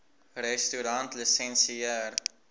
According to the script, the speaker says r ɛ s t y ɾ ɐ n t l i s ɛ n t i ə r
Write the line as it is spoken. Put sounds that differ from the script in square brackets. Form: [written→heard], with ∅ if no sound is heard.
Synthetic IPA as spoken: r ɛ s t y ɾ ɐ n t l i s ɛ n [t→s] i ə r